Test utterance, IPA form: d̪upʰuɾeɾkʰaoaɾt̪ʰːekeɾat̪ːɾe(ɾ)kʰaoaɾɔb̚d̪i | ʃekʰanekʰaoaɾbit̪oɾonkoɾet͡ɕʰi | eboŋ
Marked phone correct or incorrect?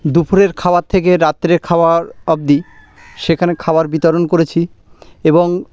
correct